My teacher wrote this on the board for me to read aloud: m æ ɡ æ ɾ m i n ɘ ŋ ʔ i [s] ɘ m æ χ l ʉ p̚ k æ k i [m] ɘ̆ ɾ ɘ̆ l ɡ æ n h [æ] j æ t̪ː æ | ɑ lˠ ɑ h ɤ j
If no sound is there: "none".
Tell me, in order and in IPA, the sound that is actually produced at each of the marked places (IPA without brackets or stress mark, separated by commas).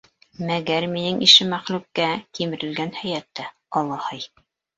ʃ, m, æ